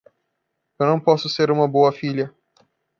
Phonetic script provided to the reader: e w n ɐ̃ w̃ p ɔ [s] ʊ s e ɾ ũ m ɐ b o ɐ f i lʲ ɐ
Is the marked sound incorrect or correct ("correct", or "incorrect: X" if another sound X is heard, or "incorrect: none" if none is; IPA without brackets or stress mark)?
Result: correct